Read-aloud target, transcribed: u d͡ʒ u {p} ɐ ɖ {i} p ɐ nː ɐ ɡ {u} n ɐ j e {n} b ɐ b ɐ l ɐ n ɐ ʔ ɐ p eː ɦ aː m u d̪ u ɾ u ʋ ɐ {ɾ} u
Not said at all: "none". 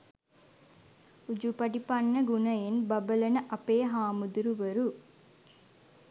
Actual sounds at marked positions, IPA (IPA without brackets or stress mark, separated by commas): p, i, u, n, ɾ